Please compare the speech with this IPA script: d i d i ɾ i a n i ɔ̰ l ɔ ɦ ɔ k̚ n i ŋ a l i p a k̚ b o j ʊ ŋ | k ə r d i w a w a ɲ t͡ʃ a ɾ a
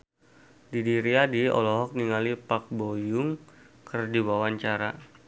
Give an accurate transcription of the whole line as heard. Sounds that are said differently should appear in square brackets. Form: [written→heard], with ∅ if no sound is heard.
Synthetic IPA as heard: d i d i ɾ i a [n→d] i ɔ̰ l ɔ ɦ ɔ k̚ n i ŋ a l i p a k̚ b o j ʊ ŋ | k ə r d i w a w a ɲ t͡ʃ a ɾ a